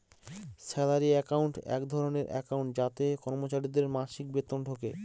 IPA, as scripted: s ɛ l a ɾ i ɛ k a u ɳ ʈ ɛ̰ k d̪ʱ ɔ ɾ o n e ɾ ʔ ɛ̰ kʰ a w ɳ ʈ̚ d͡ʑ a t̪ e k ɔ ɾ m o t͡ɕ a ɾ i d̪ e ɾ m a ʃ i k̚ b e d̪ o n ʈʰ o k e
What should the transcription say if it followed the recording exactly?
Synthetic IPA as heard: s ɛ l a ɾ i ɛ k a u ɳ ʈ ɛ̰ k d̪ʱ ɔ ɾ o n e ɾ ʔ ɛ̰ k a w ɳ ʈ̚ d͡ʑ a t̪ e k ɔ ɾ m o t͡ɕ a ɾ i d̪ e ɾ m a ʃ i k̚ b e t̪ o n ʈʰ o k e